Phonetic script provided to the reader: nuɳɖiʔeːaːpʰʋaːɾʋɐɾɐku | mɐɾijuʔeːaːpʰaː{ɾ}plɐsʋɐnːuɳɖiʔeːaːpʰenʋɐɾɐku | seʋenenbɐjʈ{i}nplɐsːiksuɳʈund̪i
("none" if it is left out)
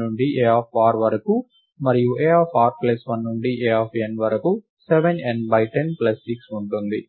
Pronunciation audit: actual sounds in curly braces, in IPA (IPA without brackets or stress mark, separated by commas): ɾ, e